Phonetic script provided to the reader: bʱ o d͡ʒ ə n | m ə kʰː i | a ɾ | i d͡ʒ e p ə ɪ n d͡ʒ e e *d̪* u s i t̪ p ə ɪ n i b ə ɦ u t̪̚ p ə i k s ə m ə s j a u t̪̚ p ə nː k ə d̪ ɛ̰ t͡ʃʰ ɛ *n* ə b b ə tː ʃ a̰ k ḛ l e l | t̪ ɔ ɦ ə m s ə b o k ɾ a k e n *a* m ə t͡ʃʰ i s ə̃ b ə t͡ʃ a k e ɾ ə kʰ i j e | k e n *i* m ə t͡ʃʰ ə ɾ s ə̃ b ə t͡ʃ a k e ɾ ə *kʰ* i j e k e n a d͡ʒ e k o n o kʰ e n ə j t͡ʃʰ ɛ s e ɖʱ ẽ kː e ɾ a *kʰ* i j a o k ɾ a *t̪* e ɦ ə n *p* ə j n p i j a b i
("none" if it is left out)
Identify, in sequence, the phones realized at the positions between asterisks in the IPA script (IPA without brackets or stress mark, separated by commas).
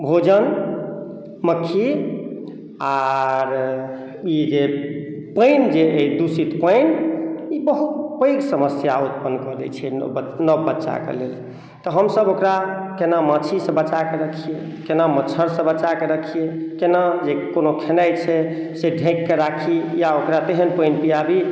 d̪, n, a, a, kʰ, kʰ, t̪, p